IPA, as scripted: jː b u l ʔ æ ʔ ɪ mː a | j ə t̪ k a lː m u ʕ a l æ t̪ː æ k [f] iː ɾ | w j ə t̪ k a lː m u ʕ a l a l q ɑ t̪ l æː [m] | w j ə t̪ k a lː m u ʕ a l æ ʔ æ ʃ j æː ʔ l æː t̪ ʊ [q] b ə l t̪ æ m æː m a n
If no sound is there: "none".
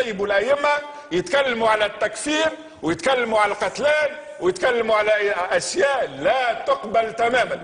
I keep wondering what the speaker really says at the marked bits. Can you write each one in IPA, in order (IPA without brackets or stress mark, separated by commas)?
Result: f, n, q